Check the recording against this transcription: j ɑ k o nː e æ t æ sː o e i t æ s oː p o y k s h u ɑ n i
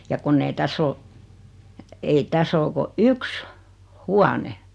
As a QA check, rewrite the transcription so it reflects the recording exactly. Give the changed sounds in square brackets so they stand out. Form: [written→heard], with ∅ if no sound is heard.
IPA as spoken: j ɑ k [o→u] nː e [æ→i] t æ sː o e i t æ s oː [p→k] o y k s h u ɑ n [i→e]